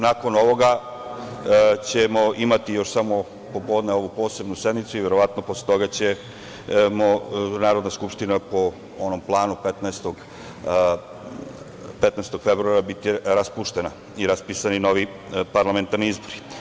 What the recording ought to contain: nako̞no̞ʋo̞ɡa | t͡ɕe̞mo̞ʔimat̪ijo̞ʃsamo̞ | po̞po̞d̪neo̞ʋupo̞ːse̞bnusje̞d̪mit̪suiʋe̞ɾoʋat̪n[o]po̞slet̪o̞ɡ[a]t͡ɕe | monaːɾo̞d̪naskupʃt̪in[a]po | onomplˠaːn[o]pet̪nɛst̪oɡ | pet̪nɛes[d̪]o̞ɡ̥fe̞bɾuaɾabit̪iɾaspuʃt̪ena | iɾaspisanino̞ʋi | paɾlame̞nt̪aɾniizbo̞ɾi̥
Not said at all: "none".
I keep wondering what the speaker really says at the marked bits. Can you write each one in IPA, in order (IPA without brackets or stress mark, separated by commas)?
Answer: o, a, a, u, t̪